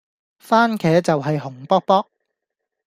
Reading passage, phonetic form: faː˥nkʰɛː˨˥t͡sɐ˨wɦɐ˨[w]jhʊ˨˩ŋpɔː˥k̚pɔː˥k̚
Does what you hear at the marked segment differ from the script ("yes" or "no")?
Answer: yes